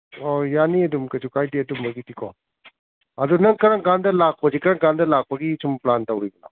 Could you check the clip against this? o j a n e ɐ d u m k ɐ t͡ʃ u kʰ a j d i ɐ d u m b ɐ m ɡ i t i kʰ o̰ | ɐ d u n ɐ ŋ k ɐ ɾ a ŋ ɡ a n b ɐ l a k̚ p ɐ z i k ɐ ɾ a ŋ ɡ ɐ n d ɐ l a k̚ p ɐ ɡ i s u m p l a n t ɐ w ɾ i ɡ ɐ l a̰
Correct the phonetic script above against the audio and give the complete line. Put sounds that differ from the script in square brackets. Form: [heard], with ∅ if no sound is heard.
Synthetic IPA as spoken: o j a n [i] ɐ d u m k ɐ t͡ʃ u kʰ a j d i ɐ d u m b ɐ [∅] ɡ i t i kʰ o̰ | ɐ d u n ɐ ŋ k ɐ ɾ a ŋ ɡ a n [d] ɐ l a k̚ p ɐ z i k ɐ ɾ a ŋ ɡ [a] n d ɐ l a k̚ p ɐ ɡ i s u m p l a n t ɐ w ɾ i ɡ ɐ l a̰